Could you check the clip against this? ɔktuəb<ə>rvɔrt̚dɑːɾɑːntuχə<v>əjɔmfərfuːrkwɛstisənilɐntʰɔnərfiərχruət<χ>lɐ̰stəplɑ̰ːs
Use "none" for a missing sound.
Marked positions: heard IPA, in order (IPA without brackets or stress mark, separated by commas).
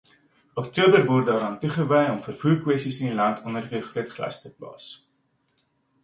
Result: ə, v, χ